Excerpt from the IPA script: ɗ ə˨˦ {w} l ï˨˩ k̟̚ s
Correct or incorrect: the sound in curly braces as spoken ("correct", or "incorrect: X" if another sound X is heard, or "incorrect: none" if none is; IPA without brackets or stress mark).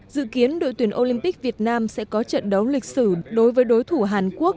correct